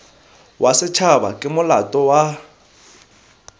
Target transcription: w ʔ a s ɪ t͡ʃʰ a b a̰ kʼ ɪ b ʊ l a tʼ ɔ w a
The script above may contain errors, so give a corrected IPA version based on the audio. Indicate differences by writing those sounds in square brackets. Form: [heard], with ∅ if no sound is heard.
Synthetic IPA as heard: w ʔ a s ɪ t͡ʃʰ a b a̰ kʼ ɪ [m] ʊ l a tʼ ɔ w a